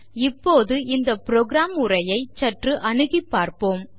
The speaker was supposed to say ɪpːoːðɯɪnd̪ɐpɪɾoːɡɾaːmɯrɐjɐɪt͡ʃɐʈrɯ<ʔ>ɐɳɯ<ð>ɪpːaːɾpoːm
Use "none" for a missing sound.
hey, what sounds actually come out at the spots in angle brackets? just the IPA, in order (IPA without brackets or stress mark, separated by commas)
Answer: ʔ, ɣ